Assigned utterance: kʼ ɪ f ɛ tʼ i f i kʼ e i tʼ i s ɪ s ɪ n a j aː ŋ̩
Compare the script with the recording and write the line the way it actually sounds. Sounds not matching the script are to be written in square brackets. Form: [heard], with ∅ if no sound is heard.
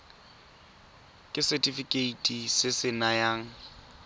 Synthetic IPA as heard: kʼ ɪ [s] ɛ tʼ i f i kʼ e i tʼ i s ɪ s ɪ n a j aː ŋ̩